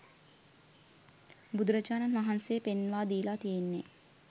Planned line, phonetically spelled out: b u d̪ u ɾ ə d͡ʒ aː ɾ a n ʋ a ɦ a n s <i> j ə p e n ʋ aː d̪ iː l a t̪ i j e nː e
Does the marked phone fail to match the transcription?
yes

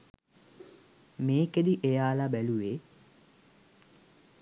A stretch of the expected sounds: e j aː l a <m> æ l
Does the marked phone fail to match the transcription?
yes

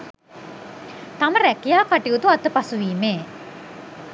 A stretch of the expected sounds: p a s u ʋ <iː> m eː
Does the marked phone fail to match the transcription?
no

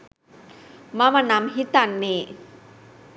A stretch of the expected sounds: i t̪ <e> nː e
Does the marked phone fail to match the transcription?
yes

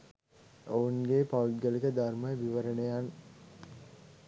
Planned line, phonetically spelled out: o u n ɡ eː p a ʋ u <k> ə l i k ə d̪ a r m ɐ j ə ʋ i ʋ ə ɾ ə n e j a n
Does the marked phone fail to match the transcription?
yes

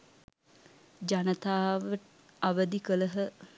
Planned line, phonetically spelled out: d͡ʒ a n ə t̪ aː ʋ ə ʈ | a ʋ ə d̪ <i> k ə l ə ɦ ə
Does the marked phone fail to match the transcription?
no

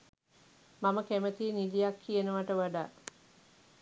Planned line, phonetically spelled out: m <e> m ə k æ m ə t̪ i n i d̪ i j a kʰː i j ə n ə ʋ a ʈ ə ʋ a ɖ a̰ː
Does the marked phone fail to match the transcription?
yes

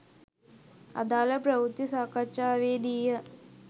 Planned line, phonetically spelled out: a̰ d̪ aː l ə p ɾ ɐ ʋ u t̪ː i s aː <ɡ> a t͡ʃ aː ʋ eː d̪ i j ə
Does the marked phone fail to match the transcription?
yes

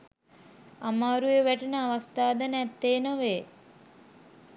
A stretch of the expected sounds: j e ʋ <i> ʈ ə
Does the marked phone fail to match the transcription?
yes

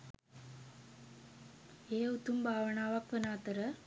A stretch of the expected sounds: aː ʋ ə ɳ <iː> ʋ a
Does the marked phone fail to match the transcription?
yes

